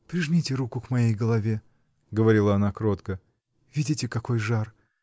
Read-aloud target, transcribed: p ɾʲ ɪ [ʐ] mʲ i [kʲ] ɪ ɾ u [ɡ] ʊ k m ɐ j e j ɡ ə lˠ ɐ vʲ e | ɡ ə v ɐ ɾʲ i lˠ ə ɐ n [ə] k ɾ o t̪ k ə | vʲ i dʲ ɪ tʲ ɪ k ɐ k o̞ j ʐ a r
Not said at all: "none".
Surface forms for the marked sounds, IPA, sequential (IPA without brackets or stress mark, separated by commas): ʐ, tʲ, k, a